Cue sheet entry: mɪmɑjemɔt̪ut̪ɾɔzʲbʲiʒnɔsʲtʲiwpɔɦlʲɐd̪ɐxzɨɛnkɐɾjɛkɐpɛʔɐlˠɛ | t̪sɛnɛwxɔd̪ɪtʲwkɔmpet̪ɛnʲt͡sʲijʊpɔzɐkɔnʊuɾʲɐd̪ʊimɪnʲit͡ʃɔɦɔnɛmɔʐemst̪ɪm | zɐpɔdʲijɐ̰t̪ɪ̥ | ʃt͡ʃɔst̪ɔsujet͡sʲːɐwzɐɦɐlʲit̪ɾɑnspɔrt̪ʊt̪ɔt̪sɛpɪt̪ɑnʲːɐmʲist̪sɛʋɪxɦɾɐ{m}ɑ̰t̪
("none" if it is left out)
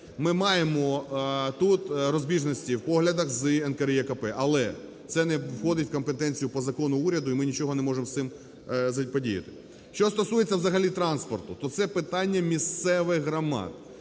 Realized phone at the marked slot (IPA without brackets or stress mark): m